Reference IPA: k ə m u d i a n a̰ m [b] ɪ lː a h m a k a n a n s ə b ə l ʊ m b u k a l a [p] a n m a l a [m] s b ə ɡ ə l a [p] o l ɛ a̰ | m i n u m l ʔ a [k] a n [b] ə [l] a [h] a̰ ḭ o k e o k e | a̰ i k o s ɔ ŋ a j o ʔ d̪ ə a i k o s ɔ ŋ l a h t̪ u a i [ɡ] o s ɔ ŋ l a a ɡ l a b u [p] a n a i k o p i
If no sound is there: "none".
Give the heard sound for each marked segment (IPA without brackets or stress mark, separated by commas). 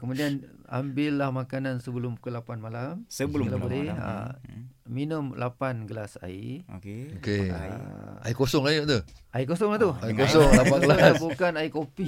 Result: b, p, m, b, p, ɡ, l, s, k, k